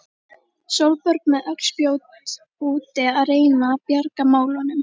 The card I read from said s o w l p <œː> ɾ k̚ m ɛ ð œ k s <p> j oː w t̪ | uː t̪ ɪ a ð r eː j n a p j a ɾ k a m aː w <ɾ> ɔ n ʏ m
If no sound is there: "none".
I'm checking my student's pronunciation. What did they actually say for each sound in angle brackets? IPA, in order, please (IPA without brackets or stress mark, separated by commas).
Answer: œ, p, l